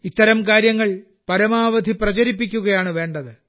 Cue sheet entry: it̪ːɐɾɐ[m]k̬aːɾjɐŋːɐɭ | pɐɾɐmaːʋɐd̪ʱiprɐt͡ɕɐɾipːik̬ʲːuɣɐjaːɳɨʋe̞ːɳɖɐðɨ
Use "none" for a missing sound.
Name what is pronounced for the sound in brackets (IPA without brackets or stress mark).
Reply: m